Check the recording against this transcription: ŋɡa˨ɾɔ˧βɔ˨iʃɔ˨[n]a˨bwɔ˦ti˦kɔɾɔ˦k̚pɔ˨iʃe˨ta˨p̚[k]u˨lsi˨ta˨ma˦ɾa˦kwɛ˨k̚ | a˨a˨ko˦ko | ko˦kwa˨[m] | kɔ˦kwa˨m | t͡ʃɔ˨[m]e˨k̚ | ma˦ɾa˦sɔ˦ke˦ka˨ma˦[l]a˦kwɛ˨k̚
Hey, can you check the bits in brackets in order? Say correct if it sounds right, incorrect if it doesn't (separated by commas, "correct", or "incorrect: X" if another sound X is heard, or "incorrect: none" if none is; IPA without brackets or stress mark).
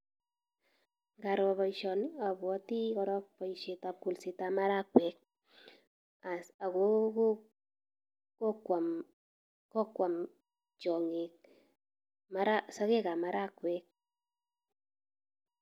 correct, correct, correct, incorrect: ŋ, incorrect: ɾ